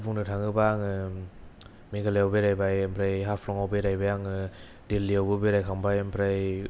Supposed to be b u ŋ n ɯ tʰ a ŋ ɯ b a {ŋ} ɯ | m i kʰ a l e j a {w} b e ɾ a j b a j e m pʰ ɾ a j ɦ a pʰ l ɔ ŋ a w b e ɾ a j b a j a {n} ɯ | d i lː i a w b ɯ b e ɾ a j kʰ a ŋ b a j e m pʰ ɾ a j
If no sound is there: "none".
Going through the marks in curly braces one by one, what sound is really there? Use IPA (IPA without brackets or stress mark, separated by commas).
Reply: ŋ, w, ŋ